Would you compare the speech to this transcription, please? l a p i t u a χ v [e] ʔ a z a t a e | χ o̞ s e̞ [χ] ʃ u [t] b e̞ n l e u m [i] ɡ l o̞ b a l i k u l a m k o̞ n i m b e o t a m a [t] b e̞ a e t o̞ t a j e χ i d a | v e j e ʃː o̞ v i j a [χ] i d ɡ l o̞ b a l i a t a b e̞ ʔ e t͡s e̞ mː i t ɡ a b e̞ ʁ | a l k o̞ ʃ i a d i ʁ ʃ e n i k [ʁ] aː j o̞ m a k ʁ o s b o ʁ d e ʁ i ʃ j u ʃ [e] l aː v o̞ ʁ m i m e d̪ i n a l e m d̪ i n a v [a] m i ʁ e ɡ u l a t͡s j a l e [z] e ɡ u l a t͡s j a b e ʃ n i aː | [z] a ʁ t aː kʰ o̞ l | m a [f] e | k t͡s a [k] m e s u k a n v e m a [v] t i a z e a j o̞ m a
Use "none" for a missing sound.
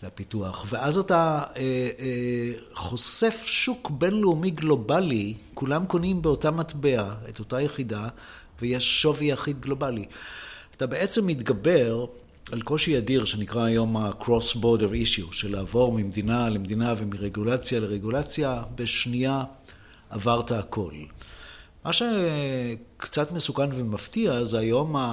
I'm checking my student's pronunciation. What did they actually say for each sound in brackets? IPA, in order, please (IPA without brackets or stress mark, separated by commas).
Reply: e, f, k, i, t, χ, ʁ, e, e, ʁ, v, ʃ, t, f